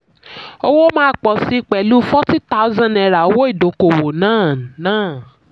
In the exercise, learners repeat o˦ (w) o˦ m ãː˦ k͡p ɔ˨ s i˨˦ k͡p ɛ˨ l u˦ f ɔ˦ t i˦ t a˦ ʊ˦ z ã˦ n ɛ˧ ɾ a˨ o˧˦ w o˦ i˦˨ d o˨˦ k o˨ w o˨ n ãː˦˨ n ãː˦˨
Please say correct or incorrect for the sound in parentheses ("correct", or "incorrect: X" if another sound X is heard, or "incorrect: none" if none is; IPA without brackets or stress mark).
correct